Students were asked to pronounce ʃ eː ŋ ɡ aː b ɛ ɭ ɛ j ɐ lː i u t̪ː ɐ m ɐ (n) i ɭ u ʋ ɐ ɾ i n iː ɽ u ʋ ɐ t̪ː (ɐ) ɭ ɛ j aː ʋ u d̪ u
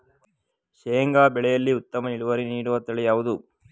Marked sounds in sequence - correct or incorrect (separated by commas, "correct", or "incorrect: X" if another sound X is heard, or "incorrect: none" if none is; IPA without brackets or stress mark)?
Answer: correct, correct